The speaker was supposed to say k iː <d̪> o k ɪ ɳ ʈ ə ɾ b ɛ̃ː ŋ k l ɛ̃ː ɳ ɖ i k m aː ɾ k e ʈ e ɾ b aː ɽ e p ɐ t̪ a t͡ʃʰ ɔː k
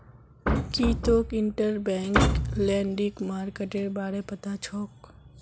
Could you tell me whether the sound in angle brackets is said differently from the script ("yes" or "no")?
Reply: yes